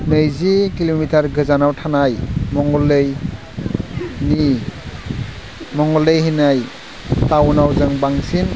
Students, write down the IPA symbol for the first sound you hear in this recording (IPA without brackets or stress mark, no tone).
n